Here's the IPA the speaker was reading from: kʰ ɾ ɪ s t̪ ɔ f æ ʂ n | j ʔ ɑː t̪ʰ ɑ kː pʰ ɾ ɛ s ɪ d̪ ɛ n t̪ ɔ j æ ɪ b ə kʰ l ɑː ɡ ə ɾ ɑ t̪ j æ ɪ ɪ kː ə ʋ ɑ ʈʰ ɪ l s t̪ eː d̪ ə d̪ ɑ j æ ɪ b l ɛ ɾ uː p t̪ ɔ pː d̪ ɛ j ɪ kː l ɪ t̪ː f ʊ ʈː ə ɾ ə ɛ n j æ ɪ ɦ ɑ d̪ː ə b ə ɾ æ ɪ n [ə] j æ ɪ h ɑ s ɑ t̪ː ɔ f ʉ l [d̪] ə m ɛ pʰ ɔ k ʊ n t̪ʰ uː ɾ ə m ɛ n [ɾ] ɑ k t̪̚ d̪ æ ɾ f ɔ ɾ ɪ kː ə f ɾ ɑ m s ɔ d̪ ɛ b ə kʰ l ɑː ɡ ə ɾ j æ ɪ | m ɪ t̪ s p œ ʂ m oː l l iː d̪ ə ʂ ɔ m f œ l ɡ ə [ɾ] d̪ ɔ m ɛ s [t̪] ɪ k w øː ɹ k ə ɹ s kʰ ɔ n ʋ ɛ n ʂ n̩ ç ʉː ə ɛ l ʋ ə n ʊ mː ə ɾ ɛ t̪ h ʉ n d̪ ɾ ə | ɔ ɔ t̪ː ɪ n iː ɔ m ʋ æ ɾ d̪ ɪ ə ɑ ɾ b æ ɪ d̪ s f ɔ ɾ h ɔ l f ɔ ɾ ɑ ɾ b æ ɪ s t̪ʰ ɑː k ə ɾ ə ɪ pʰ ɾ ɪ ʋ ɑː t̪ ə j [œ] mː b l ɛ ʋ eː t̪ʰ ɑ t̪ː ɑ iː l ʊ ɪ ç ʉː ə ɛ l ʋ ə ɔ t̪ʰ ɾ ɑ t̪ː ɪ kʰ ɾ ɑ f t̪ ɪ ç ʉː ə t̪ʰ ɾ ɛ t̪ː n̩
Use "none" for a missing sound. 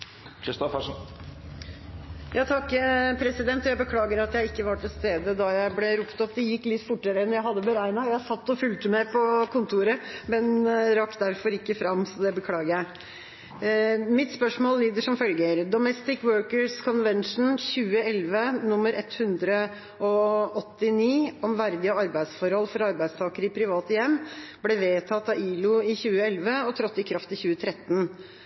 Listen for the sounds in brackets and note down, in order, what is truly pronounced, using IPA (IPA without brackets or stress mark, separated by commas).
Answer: ɑ, t̪, ɾ, ɾ, t̪, ɛ